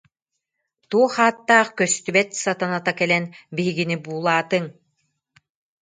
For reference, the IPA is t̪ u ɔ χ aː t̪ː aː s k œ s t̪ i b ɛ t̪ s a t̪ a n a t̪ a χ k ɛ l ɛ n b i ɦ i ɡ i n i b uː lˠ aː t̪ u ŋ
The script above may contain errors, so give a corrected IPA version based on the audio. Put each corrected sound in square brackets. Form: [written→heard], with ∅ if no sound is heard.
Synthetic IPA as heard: t̪ u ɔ χ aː t̪ː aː [s→χ] k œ s t̪ [i→y] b ɛ t̪ s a t̪ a n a t̪ a [χ→∅] k ɛ l ɛ n b i ɦ i ɡ i n i b uː lˠ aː t̪ [u→ɯ] ŋ